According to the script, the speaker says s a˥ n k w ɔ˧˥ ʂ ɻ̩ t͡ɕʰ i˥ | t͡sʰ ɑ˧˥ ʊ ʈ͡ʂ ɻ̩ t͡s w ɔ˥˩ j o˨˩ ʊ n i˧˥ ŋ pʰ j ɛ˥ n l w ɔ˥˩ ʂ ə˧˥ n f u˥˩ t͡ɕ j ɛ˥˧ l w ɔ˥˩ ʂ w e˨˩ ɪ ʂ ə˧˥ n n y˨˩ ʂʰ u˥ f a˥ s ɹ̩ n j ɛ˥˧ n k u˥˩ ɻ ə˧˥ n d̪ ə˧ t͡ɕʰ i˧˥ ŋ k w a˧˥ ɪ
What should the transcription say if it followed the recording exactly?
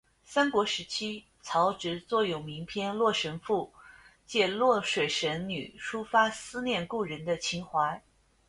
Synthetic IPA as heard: s a˥ n k w ɔ˧˥ ʂ ɻ̩ t͡ɕʰ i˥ | t͡sʰ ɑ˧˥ ʊ ʈ͡ʂ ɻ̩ t͡s w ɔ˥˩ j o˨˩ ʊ m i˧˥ ŋ pʰ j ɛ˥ n l w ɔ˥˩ ʂ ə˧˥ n f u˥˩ t͡ɕ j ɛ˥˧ l w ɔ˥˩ ʂ w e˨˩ ɪ ʂ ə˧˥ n n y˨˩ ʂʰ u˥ f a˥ s ɹ̩ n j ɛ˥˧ n k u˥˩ ɻ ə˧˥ n d̪ ə˧ t͡ɕʰ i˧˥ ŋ x w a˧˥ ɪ